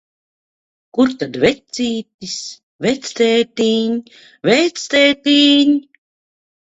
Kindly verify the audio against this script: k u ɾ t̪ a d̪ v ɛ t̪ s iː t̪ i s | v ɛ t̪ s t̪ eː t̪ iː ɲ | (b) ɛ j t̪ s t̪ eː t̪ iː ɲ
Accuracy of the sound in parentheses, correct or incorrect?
incorrect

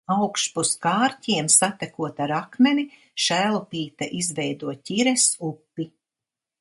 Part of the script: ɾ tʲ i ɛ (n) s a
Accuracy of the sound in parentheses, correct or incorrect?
incorrect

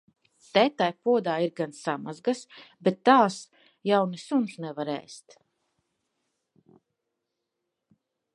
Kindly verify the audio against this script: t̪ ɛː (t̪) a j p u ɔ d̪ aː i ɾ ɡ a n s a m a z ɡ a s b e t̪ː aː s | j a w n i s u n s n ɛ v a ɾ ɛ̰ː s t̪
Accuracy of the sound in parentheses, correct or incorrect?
correct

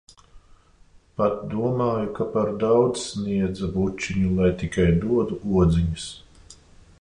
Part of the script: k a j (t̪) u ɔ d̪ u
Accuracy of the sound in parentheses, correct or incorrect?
incorrect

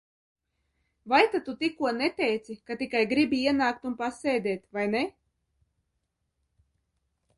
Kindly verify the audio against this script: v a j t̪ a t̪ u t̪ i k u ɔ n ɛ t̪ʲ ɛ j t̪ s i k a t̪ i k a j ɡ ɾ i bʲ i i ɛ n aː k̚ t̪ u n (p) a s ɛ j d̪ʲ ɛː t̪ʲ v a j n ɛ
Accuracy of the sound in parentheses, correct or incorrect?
correct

